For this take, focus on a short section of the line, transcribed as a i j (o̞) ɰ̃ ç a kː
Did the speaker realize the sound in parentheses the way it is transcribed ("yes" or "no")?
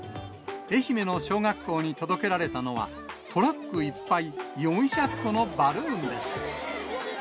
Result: no